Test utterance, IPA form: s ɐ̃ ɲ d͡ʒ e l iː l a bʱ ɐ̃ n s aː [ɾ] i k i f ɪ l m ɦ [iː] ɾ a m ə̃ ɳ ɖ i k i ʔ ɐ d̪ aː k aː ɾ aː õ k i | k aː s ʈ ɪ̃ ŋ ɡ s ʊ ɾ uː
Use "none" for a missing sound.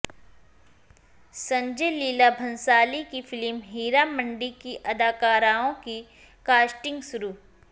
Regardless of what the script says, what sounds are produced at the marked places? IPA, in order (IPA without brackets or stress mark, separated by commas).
l, iː